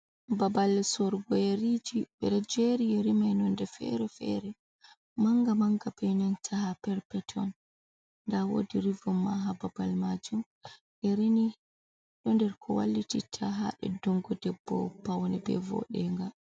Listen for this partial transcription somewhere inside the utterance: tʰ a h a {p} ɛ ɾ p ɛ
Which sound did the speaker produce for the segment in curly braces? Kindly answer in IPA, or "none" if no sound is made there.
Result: p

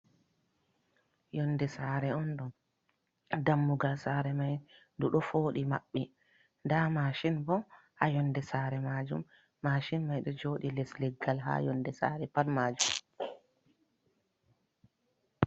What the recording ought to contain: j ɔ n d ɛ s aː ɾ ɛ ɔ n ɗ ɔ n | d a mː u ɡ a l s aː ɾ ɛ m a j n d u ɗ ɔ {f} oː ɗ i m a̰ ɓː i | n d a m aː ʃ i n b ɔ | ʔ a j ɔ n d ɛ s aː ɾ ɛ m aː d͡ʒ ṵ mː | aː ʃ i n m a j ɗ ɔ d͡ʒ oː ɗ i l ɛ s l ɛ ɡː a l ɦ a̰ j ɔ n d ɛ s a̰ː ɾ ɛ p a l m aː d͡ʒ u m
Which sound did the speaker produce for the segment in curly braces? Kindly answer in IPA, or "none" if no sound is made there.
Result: f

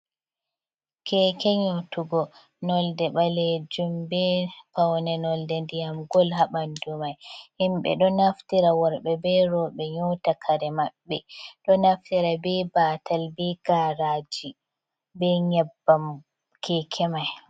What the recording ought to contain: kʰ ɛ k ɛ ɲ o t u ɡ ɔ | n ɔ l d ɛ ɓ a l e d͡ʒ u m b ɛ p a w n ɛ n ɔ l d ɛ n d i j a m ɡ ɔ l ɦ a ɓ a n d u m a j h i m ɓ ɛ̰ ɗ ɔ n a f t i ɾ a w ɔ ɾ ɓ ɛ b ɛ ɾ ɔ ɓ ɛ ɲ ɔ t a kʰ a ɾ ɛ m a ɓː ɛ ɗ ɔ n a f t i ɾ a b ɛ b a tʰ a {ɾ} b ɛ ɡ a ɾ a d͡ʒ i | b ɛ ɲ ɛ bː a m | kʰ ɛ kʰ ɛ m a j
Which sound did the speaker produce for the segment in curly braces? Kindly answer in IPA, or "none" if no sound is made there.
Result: l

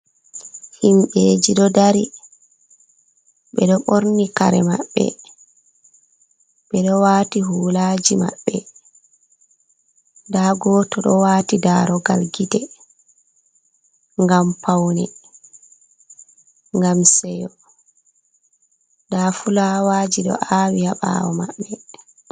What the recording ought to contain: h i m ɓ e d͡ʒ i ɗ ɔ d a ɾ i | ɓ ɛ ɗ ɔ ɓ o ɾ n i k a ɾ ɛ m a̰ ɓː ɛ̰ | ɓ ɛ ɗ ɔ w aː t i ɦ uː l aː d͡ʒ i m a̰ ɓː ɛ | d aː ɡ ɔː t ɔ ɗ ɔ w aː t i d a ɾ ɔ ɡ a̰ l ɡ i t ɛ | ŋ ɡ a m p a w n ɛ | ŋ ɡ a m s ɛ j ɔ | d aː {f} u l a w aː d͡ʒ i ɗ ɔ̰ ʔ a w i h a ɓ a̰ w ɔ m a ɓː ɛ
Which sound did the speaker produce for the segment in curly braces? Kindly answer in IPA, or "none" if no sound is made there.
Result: f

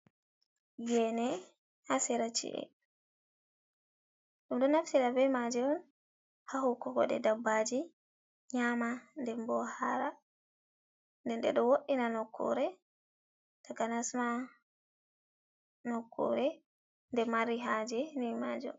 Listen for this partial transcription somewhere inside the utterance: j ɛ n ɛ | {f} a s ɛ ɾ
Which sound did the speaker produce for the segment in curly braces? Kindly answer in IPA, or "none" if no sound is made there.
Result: h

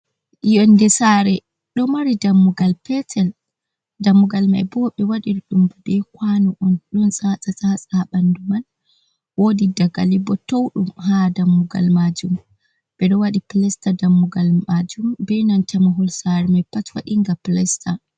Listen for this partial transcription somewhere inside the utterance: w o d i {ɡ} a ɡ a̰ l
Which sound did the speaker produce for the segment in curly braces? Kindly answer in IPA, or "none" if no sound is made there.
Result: d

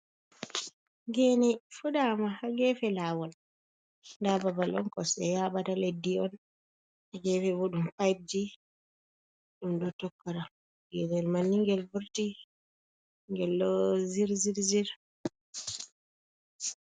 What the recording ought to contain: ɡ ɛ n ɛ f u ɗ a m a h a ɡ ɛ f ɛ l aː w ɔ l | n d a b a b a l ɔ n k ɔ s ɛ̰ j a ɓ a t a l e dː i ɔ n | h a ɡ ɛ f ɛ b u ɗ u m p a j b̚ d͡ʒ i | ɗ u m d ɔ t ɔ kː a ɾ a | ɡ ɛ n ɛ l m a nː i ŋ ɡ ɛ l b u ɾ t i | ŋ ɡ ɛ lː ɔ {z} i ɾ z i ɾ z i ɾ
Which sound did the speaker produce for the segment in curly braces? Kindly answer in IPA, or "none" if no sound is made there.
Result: z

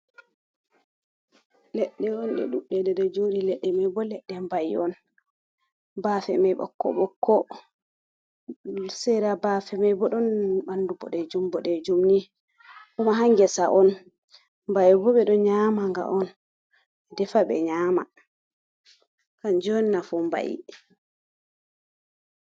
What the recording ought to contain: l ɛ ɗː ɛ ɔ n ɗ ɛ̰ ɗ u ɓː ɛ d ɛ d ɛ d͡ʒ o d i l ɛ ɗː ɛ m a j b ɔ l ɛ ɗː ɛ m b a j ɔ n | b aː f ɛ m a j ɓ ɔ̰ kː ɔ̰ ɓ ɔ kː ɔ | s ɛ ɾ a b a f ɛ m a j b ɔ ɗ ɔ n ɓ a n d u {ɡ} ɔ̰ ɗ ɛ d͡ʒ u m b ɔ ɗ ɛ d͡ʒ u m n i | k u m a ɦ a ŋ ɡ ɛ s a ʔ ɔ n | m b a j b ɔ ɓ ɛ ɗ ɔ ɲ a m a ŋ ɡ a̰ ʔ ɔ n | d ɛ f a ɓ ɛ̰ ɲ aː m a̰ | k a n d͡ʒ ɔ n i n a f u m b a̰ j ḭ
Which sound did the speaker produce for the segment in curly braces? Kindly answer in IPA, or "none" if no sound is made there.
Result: b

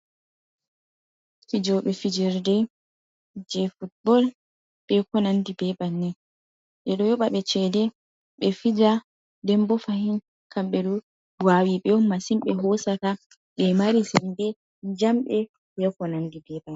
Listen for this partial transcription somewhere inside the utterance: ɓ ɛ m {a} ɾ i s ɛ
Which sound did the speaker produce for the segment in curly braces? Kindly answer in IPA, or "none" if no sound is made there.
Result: a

